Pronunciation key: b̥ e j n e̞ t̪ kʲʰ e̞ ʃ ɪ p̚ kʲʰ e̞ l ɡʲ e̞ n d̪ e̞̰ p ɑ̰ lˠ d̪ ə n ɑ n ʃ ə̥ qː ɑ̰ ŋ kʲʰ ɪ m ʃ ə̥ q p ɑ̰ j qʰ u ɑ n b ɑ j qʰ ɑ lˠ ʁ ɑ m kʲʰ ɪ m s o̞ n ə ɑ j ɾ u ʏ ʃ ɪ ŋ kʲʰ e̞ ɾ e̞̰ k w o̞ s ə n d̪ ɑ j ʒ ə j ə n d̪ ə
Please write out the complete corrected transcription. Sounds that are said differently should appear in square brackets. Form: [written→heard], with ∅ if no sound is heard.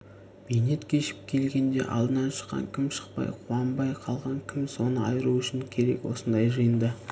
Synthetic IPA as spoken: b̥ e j n e̞ t̪ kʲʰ e̞ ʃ ɪ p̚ kʲʰ e̞ l ɡʲ e̞ n d̪ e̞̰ [p→ʔ] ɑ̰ lˠ d̪ ə n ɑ n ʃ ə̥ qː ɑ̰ ŋ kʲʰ ɪ m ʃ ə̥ q p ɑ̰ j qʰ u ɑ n b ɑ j qʰ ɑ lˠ ʁ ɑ [m→ŋ] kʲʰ ɪ m s o̞ n ə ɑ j ɾ u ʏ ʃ ɪ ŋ kʲʰ e̞ ɾ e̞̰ k w o̞ s ə n d̪ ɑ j ʒ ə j ə n d̪ ə